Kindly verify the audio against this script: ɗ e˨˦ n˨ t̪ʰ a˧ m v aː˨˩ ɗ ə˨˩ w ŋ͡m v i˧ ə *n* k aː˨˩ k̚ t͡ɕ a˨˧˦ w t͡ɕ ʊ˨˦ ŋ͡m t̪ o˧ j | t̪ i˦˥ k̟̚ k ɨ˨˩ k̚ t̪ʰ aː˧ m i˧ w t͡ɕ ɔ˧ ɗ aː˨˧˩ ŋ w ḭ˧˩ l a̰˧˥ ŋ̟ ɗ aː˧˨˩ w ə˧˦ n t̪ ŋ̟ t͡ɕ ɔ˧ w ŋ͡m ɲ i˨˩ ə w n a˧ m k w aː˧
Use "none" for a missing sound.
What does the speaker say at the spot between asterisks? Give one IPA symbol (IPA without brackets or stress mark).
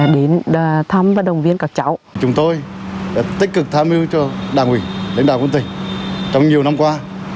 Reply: n